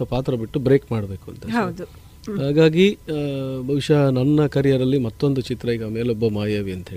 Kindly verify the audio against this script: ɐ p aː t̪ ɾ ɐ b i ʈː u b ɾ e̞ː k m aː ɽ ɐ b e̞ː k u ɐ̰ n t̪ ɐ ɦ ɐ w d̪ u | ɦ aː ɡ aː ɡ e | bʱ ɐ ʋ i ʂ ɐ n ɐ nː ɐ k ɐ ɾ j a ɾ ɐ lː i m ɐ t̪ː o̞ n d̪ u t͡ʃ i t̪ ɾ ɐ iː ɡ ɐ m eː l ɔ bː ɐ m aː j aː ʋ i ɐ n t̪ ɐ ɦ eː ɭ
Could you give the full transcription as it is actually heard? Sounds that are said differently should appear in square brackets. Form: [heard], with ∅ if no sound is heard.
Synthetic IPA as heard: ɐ p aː t̪ ɾ ɐ b i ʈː u b ɾ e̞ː k m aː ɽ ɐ b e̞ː k u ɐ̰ n t̪ ɐ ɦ ɐ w d̪ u | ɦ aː ɡ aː ɡ [i] | bʱ ɐ ʋ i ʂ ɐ n ɐ nː ɐ k ɐ ɾ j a ɾ ɐ lː i m ɐ t̪ː o̞ n d̪ u t͡ʃ i t̪ ɾ ɐ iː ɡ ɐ m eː l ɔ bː ɐ m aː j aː ʋ i ɐ n t̪ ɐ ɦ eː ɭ